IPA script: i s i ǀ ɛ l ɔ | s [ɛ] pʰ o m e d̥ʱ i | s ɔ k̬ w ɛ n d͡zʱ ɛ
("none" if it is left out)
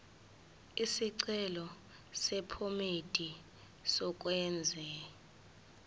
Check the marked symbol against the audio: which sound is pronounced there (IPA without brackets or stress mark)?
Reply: ɛ